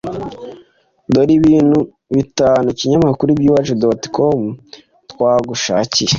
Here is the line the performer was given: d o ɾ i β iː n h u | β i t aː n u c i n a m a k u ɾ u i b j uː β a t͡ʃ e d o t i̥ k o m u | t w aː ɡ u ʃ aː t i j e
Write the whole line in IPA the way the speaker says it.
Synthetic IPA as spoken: d o ɾ i β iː n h u | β i t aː n u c i ɲ a m a k u ɾ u i b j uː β a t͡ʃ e d o t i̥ k o m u | t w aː ɡ u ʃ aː c i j e